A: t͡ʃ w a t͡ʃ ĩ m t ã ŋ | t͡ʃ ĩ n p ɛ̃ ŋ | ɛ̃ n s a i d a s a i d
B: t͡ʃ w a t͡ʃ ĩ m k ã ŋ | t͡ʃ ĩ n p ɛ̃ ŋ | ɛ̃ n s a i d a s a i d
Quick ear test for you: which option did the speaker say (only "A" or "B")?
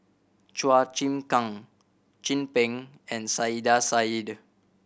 B